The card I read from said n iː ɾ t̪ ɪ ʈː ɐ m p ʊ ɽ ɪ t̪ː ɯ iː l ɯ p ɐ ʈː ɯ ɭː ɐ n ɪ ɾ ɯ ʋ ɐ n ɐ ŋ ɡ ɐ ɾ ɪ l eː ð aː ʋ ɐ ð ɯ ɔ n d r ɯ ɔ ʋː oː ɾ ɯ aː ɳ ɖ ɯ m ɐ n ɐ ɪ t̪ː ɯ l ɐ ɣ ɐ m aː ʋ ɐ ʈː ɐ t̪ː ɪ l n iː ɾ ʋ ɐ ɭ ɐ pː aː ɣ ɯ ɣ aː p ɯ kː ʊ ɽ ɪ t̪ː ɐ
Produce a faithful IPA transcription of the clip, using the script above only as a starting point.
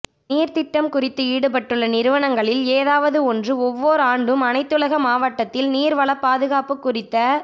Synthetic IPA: n iː ɾ t̪ ɪ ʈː ɐ m k ʊ r ɪ t̪ː ɯ iː ɽ ɯ p ɐ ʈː ɯ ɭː ɐ n ɪ ɾ ɯ ʋ ɐ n ɐ ŋ ɡ ɐ ɭ ɪ l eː ð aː ʋ ɐ ð ɯ ɔ n d r ɯ ɔ ʋː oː ɾ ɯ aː ɳ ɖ ɯ m ɐ n ɐ ɪ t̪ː ɯ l ɐ ɣ ɐ m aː ʋ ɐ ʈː ɐ t̪ː ɪ l n iː ɾ ʋ ɐ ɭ ɐ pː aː ð ɯ ɣ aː p ɯ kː ʊ r ɪ t̪ː ɐ